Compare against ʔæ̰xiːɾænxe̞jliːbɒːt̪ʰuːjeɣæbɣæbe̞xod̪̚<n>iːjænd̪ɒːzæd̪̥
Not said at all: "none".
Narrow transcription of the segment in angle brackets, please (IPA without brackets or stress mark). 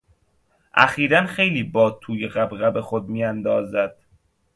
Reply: m